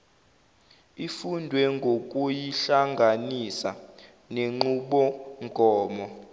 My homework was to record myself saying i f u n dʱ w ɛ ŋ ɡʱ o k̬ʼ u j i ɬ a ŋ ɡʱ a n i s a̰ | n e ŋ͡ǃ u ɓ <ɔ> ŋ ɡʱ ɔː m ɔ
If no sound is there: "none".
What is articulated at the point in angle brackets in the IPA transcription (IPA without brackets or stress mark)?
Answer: ɔ